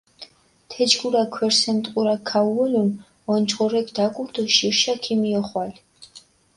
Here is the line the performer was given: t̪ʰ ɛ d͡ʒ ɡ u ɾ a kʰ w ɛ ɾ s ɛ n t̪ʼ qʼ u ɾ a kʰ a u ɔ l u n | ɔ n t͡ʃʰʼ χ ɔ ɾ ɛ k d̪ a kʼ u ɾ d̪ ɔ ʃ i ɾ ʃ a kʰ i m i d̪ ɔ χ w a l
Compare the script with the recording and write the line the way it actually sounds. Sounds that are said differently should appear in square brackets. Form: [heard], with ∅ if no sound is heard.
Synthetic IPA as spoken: t̪ʰ ɛ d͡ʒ ɡ u ɾ a kʰ w ɛ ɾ s ɛ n t̪ʼ qʼ u ɾ a kʰ a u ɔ l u n | ɔ n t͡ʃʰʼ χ ɔ ɾ ɛ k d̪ a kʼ u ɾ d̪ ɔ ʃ i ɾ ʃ a kʰ i m i [∅] ɔ χ w a l